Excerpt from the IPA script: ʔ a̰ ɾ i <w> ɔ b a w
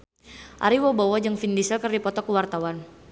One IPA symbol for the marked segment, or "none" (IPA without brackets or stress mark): w